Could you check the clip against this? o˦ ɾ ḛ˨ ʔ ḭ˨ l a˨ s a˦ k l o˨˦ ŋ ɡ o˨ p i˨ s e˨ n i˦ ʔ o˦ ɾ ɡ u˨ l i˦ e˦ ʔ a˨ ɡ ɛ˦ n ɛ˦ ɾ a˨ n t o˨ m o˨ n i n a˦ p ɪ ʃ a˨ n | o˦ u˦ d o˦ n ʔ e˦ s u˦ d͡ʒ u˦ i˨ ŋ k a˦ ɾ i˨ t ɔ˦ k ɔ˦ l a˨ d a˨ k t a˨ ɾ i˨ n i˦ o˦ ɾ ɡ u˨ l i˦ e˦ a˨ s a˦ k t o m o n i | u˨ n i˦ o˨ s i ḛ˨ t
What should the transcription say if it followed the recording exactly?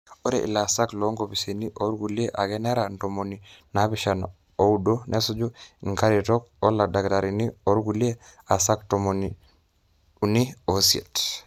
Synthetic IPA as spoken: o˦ ɾ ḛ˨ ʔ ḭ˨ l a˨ s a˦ k l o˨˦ ŋ ɡ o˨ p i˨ s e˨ n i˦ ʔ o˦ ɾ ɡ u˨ l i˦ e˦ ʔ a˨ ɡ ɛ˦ n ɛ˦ ɾ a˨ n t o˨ m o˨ n i n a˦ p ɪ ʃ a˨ n | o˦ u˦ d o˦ n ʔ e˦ s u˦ d͡ʒ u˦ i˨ ŋ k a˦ ɾ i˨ t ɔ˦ k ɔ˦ l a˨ d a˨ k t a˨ ɾ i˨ n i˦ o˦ ɾ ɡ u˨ l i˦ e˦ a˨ s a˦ k t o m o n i | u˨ n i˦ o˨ s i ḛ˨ t